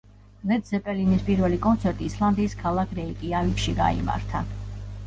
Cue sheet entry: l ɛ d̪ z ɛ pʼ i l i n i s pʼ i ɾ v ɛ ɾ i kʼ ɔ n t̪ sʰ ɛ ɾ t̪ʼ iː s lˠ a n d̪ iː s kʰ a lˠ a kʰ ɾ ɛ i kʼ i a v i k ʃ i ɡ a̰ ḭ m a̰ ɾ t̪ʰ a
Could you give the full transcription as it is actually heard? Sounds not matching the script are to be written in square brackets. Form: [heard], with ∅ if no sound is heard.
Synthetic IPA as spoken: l ɛ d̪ z ɛ pʼ [ɛ] l i n i s pʼ i ɾ v ɛ [l] i kʼ ɔ n t̪ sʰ ɛ ɾ t̪ʼ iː s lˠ a n d̪ iː s kʰ a lˠ a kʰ ɾ ɛ i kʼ i a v i k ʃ i ɡ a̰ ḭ m a̰ ɾ t̪ʰ a